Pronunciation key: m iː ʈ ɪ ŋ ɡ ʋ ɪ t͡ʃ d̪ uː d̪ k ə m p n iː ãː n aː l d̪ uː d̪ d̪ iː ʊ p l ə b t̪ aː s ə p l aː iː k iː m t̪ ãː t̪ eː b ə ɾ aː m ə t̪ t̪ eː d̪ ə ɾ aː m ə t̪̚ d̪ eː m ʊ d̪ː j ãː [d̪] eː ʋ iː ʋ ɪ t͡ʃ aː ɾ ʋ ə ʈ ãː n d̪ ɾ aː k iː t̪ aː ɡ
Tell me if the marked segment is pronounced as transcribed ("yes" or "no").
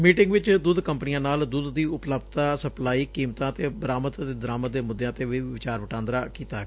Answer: no